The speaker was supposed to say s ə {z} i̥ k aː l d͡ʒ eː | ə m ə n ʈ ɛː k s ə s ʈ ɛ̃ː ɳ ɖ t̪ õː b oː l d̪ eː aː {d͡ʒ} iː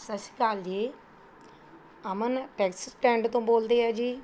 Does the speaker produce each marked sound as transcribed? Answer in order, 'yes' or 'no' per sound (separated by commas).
no, yes